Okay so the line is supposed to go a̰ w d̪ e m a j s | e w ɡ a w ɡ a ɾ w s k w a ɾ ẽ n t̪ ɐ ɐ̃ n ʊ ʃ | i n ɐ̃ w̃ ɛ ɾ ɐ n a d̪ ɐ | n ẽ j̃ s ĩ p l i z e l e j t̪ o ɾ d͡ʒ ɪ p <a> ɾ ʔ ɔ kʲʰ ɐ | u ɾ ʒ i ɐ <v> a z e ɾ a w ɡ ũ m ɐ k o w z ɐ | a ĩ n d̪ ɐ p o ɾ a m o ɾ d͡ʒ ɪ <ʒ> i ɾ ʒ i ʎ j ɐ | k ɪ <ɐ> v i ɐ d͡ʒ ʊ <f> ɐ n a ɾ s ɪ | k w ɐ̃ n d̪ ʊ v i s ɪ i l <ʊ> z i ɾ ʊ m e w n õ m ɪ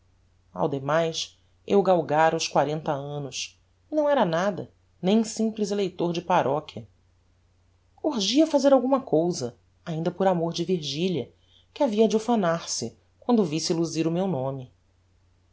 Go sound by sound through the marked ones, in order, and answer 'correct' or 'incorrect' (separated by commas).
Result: correct, incorrect, incorrect, incorrect, correct, incorrect